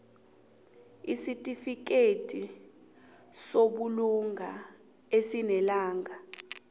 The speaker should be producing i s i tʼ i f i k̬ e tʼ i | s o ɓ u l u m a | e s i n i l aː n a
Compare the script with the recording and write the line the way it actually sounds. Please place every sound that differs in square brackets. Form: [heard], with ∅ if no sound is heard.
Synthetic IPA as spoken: i s i tʼ i f i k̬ e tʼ i | s o ɓ u l u [ŋ] a | e s i n [ɛ] l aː [ŋ] a